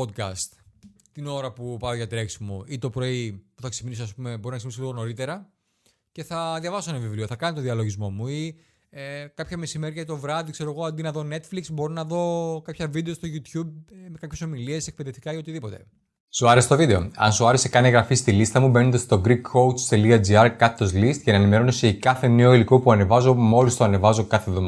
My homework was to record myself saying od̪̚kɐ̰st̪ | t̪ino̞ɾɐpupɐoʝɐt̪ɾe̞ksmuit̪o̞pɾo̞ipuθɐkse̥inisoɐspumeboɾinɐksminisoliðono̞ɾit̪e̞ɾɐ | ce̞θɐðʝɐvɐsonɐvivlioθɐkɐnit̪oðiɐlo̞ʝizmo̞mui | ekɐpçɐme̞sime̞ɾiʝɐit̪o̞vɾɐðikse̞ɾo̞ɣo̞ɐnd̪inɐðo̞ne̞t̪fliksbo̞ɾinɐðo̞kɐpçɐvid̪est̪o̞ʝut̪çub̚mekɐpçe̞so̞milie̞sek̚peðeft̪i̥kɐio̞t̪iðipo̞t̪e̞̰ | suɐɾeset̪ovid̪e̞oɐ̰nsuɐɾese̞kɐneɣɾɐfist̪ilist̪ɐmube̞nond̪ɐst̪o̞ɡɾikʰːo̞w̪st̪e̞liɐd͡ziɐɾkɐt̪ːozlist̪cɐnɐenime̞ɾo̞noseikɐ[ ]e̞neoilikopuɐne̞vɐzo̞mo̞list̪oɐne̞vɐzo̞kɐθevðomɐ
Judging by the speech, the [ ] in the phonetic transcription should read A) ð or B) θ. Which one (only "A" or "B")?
B